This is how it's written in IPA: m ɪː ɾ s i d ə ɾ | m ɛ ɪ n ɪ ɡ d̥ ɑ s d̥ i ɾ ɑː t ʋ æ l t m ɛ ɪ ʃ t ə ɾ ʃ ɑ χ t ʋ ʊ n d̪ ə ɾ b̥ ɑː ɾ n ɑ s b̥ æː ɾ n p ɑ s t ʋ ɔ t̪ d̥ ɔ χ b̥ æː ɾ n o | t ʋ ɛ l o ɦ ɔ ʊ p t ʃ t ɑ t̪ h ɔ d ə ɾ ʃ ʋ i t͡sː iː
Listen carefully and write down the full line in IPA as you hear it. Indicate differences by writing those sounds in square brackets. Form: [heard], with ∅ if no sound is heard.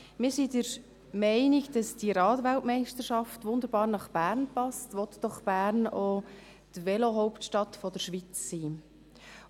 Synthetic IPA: m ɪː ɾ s i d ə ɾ | m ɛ ɪ n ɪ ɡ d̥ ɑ s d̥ i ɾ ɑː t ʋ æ l t m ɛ ɪ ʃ t ə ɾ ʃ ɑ [f] t ʋ ʊ n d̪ ə ɾ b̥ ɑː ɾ n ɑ [χ] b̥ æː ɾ n p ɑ s t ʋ ɔ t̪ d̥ ɔ χ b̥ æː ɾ n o | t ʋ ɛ l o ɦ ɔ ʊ p t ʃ t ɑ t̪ [f] ɔ d ə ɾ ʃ ʋ i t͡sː iː

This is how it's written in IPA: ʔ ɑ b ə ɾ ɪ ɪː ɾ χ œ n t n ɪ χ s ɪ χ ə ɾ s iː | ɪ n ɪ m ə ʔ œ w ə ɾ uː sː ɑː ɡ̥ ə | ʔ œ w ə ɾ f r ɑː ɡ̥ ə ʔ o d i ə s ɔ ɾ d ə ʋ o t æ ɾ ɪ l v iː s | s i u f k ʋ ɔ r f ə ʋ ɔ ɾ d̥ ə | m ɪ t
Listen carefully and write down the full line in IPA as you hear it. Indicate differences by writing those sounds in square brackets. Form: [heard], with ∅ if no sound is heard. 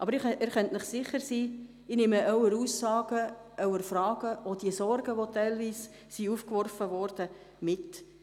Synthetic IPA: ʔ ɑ b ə ɾ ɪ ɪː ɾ χ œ n t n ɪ χ s ɪ χ ə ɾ s iː | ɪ n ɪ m ə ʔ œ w ə ɾ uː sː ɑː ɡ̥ ə | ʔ œ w ə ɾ f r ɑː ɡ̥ ə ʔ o d i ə s ɔ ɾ [ɡ] ə ʋ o t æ [∅] ɪ l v iː s | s i u f k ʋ ɔ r f ə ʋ ɔ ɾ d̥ ə | m ɪ t

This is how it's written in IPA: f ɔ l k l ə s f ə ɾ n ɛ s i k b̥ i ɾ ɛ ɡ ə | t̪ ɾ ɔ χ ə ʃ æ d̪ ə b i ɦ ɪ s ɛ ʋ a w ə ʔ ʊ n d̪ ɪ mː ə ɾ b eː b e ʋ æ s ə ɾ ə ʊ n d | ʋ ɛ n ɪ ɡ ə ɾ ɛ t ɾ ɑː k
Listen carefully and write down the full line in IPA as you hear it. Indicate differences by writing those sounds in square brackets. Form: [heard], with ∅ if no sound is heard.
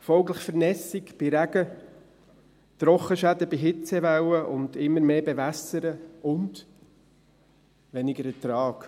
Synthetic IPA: f ɔ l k l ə [χ] f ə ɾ n ɛ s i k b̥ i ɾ [æ] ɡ ə | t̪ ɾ ɔ χ ə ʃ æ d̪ ə b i ɦ ɪ [t͡s] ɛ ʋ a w ə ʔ ʊ n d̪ ɪ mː ə ɾ [m] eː b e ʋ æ s ə ɾ ə ʊ n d | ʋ ɛ n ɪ ɡ ə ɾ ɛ t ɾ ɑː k

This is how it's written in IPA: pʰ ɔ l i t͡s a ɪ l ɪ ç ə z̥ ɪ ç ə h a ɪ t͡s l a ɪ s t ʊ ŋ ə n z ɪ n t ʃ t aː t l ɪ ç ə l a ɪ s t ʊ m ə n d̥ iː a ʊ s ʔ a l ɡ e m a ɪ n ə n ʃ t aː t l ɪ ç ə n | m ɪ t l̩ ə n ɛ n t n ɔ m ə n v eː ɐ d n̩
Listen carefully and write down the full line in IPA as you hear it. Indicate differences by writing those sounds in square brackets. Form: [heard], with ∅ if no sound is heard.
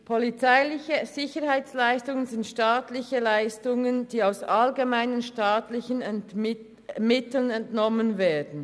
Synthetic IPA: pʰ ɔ l i t͡s a ɪ l ɪ ç ə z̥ ɪ ç ə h a ɪ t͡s l a ɪ s t ʊ ŋ ə n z ɪ n t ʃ t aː t l ɪ ç ə l a ɪ s t ʊ [ŋ] ə n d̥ iː a ʊ s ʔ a l ɡ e m a ɪ n ə n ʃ t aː t l ɪ ç ə n | m ɪ t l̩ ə n ɛ n t n ɔ m ə n v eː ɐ d n̩

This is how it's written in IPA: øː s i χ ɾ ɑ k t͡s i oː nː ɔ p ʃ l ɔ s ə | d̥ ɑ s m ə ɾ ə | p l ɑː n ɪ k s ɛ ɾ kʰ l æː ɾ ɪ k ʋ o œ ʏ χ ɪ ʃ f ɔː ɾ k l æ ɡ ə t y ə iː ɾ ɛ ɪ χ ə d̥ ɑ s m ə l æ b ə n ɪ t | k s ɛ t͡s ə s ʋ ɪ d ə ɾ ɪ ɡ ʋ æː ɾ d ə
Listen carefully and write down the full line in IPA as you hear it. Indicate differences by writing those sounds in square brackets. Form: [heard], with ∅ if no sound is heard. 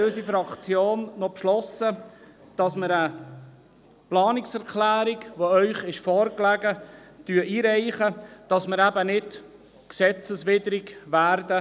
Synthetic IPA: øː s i [f] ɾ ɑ k t͡s [j] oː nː ɔ p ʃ l ɔ s ə | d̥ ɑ s m ə ɾ ə | p l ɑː n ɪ k s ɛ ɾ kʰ l æː ɾ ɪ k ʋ o œ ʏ χ ɪ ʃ f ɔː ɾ k l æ ɡ ə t y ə iː ɾ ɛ ɪ χ ə d̥ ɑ s m ə [ɾ] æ b ə n ɪ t | k s ɛ t͡s ə s ʋ ɪ d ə ɾ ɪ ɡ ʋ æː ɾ d ə

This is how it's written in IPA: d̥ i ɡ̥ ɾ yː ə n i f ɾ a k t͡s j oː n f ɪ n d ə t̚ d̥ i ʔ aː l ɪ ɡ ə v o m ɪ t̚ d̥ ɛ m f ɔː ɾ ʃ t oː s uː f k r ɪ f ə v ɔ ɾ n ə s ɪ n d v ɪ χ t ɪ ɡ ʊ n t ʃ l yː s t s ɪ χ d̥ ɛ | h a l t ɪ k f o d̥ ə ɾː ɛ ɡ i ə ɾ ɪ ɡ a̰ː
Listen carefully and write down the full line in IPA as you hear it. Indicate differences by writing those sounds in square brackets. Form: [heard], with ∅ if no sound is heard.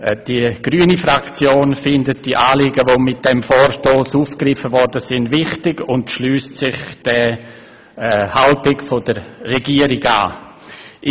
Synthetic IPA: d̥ i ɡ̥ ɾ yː ə n i f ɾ a k t͡s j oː n f ɪ n d ə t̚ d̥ i ʔ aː l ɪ ɡ ə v o m ɪ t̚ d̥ ɛ m f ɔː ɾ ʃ t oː s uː f k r ɪ f ə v ɔ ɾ [d] ə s ɪ n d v ɪ χ t ɪ ɡ ʊ n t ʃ l yː s t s ɪ χ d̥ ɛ | h a l t ɪ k f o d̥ ə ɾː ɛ ɡ i ə ɾ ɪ ɡ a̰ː

